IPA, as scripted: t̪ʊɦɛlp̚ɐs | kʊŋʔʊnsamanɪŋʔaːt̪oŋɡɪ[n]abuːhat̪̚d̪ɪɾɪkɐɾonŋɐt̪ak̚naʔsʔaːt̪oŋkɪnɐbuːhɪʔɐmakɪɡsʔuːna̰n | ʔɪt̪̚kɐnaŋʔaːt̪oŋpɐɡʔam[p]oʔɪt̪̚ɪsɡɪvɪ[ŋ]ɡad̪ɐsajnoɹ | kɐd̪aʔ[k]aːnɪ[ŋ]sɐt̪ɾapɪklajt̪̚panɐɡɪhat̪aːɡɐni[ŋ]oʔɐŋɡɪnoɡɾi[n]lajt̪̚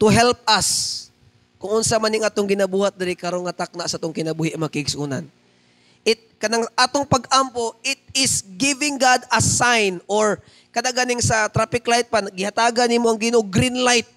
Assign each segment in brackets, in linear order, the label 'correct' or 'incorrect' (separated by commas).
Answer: correct, correct, correct, incorrect, correct, incorrect, correct